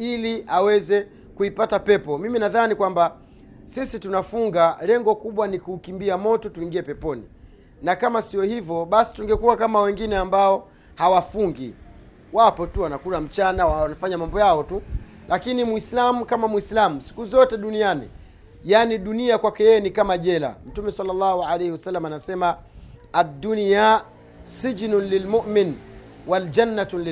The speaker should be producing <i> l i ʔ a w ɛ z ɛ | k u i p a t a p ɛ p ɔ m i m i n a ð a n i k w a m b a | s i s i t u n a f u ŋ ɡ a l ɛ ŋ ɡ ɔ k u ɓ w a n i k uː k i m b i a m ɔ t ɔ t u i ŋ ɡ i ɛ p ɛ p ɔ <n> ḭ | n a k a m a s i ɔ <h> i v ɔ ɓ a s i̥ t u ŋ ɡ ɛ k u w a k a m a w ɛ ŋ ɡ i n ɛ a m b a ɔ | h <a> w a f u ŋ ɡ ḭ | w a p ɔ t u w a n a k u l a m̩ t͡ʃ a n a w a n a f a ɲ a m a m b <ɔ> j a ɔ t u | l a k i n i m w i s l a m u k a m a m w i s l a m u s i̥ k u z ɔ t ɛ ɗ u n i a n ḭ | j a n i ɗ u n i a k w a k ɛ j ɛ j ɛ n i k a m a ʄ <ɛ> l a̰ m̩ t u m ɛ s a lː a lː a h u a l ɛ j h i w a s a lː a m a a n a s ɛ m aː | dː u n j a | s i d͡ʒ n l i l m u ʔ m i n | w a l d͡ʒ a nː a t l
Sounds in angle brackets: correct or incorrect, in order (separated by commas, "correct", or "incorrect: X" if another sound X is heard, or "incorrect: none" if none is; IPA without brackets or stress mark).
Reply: correct, correct, correct, correct, correct, correct